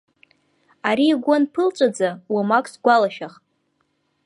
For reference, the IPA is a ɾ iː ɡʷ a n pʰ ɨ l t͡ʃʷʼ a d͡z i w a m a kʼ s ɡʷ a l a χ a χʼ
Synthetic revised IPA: a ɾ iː ɡʷ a n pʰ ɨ l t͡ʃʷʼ a d͡z a w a m a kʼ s ɡʷ a l a ʃ a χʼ

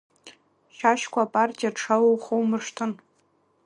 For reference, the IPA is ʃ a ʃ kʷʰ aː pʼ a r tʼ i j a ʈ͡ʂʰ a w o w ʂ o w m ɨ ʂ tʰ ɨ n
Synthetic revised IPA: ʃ a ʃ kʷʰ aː pʼ a r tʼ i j a ʈ͡ʂʰ a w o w χ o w m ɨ ʂ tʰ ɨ n

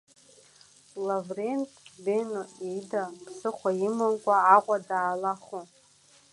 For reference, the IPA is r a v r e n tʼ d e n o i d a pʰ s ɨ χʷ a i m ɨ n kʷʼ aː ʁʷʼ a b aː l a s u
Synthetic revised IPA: l a v r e n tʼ b e n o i d a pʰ s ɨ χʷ a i m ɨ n kʷʼ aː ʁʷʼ a d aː l a χ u

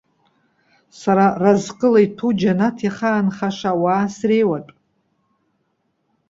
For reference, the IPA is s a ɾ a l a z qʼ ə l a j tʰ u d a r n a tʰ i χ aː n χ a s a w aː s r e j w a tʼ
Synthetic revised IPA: s a ɾ a r a z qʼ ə l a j tʰ u d͡ʒ a n a tʰ i χ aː n χ a ʂ a w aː s r e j w a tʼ

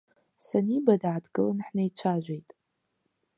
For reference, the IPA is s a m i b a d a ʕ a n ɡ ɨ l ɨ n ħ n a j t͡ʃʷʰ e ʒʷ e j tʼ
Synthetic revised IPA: s a n i b a d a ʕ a d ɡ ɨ l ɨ n ħ n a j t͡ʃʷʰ a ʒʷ e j tʼ

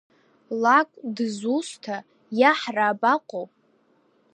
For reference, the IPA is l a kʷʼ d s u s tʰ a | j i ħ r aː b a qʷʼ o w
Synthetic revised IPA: l a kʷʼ d z u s tʰ a | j a ħ r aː b a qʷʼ o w

